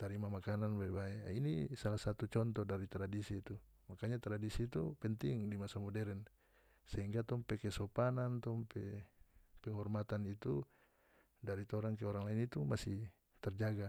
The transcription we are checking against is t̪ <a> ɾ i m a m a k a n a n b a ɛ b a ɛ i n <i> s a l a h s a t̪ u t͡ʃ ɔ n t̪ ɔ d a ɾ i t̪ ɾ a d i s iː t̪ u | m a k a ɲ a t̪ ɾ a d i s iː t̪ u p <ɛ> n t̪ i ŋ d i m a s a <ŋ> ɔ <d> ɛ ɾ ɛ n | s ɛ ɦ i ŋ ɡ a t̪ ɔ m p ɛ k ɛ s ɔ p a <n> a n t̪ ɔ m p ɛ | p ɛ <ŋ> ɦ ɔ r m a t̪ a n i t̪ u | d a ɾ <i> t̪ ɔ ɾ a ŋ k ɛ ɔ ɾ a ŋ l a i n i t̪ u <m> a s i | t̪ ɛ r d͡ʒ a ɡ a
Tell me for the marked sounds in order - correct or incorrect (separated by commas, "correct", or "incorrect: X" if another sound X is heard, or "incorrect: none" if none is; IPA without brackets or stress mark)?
correct, correct, correct, incorrect: m, correct, correct, correct, correct, correct